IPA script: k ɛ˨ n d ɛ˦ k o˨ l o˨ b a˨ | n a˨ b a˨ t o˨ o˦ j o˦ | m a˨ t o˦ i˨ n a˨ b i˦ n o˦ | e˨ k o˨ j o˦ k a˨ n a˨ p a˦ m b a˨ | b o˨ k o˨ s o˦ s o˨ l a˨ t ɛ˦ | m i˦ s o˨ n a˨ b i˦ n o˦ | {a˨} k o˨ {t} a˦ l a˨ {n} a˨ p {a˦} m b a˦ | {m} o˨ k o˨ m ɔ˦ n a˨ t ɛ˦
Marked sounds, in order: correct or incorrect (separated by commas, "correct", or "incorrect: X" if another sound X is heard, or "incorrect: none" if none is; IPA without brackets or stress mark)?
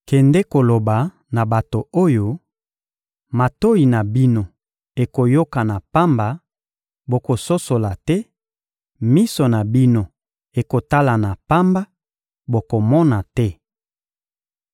incorrect: e˨, correct, correct, correct, incorrect: b